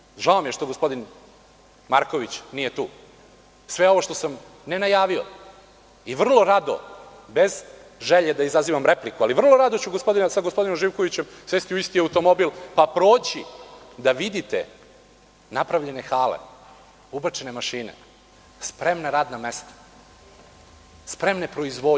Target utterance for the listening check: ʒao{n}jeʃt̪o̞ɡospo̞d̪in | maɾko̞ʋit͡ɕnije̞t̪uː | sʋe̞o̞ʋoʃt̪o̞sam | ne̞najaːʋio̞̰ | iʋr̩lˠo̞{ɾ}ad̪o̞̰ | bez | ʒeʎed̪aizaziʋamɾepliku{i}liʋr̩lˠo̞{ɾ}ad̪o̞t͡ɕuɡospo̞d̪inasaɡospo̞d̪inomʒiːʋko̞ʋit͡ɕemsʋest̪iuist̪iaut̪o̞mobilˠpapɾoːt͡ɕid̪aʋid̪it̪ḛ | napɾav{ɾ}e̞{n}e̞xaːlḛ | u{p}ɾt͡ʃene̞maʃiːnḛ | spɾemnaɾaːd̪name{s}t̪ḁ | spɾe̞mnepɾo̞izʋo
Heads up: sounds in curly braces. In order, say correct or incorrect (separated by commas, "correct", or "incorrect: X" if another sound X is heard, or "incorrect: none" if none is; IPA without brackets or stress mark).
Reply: incorrect: m, correct, incorrect: a, correct, incorrect: ʎ, correct, incorrect: b, correct